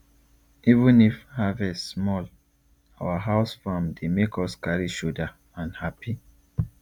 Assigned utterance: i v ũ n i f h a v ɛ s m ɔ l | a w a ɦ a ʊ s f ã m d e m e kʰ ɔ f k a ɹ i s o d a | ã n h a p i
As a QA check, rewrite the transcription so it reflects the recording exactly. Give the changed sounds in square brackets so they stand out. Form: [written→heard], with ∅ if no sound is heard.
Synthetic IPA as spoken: i v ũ n i f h a v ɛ s m ɔ l | a w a ɦ a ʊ s f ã m d e m e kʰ ɔ [f→s] k a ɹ i [s→ʃ] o d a | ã n h a p i

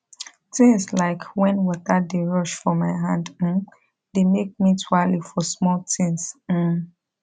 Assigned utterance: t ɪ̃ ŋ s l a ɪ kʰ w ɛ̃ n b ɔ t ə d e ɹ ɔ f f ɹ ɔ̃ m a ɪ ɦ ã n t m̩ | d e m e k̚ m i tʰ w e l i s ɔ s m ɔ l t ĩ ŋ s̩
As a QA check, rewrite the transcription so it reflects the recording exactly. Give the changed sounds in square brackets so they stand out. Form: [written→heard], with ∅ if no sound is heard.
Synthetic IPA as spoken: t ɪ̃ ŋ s l a ɪ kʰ w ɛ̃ n [b→w] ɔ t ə d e ɹ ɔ [f→ʃ] f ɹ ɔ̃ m a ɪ ɦ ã n [t→d] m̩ | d e m e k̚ m i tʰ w [e→a] l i [s→f] ɔ s m ɔ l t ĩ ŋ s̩

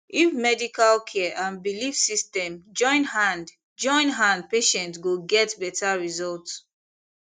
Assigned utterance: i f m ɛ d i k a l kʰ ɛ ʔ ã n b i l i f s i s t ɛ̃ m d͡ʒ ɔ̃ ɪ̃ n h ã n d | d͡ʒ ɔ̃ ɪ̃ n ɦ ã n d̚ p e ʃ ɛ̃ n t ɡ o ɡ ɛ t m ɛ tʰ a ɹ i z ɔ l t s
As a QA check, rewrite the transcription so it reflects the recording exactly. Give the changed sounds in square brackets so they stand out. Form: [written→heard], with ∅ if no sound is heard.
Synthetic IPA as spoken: i f m ɛ d i k a l kʰ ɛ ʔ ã n b i l i f s i s t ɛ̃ m d͡ʒ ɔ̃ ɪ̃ n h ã n d | d͡ʒ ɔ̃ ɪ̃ n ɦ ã n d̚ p e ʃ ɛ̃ n t ɡ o ɡ ɛ t [m→b] ɛ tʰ a ɹ i z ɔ l t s

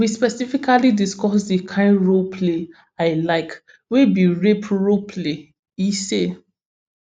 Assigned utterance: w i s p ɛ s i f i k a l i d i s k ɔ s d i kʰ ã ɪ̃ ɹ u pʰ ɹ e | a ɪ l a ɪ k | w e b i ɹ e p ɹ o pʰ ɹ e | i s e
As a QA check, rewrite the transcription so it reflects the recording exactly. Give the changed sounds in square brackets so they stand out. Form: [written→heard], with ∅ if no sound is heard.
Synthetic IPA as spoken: w i s p ɛ s i f i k a l i d i s k ɔ s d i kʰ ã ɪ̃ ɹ [u→o] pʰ [ɹ→l] e | a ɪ l a ɪ k | w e b i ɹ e p ɹ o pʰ [ɹ→l] e | i s e

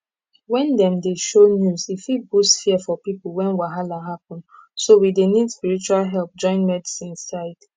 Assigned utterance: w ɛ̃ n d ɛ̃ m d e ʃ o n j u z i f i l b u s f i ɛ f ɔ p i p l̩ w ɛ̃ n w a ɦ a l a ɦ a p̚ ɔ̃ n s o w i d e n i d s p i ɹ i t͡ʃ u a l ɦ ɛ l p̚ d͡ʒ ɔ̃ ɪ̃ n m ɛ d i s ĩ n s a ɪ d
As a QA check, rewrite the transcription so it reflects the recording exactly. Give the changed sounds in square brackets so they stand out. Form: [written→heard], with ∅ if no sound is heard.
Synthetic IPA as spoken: w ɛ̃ n d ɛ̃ m d e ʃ o n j u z i f i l b u s f i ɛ f ɔ p i p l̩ w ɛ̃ n w a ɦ a l a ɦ a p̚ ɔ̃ n s o w i d e n i d s p i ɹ i t͡ʃ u a l ɦ ɛ l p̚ d͡ʒ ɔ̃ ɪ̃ n m ɛ d i s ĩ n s a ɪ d

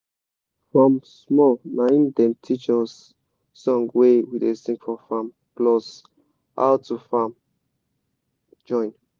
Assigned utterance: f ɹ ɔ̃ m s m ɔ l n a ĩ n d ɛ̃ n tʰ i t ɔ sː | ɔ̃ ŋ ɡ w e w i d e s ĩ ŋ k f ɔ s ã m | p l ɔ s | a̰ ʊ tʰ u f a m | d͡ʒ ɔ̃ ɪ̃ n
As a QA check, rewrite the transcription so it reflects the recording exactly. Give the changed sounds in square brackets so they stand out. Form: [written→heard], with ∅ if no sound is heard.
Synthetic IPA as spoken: f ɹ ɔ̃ m s m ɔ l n a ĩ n d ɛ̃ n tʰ i [t→t͡ʃ] ɔ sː | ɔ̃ ŋ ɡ w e w i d e s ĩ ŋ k f ɔ [s→f] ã m | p l ɔ s | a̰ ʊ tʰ u f a m | d͡ʒ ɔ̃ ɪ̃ n

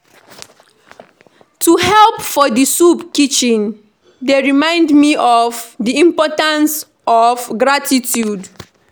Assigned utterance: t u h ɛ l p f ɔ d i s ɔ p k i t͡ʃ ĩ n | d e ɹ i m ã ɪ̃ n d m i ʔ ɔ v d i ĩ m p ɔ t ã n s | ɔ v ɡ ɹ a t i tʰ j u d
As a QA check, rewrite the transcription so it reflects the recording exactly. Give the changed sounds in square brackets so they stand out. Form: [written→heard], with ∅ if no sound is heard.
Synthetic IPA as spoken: t u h ɛ l p f ɔ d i s [ɔ→u] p k i t͡ʃ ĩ n | d e ɹ i m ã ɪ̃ n d m i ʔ ɔ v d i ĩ m p ɔ t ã n s | ɔ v ɡ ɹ a t i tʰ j u d

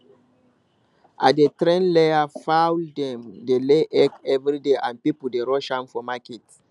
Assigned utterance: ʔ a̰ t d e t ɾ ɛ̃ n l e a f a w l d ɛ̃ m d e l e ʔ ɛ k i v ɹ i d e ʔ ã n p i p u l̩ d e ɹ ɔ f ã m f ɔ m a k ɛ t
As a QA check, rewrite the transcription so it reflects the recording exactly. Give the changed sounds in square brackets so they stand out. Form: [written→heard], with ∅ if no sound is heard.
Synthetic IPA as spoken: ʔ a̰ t d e t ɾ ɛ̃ n l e a f a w l d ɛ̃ m d e l e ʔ ɛ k [i→ɛ] v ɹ i d e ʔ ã n p i p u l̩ d e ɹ ɔ [f→ʃ] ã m f ɔ m a k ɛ t

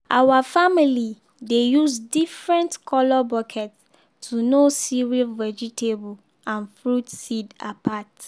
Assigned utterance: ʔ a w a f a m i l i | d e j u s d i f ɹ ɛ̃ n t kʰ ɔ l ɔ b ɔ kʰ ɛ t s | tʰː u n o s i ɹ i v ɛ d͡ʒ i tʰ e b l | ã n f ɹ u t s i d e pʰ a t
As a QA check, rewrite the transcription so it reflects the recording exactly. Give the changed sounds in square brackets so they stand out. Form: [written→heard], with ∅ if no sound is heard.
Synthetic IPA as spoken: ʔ a w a f a m i l i | d e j u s d i f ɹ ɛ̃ n t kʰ ɔ l ɔ b ɔ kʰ ɛ t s | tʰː u n o s i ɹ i v ɛ d͡ʒ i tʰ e b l | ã n f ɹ u t s i d [e→a] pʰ a t

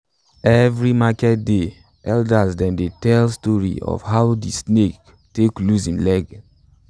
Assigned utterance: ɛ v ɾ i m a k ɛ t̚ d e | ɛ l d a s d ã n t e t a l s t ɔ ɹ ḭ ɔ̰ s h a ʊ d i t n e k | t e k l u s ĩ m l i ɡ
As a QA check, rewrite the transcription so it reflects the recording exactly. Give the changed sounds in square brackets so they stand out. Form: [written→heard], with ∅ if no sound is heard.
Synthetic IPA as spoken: ɛ v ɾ i m a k ɛ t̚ d e | ɛ l d a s d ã n [t→d] e t [a→ɛ] l s t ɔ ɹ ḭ ɔ̰ [s→f] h a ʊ d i [t→s] n e k | t e k l u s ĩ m l [i→ɛ] ɡ

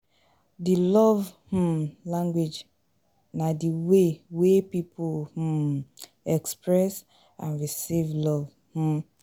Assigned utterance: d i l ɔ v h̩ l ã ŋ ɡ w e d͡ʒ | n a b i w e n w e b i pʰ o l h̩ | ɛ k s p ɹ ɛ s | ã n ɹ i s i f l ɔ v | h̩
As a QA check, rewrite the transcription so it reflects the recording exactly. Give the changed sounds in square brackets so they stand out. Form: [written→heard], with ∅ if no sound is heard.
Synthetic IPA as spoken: d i l ɔ v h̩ l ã ŋ ɡ w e d͡ʒ | n a [b→d] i w e [n→∅] w e [b→p] i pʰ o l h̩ | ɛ k s p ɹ ɛ s | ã n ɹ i s i [f→v] l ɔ v | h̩

